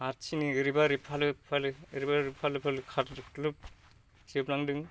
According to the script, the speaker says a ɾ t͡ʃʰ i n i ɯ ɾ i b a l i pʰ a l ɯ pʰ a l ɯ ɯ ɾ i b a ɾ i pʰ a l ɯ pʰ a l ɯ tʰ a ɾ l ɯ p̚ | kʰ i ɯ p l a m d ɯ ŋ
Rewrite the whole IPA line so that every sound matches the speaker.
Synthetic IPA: a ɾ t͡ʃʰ i n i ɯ ɾ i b a ɾ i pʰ a l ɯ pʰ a l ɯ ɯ ɾ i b a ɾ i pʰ a l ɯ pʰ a l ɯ kʰ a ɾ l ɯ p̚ | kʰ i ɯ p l a ŋ d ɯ ŋ